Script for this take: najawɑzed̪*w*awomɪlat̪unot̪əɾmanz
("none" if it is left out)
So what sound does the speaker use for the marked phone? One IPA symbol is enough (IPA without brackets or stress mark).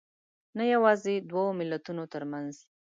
w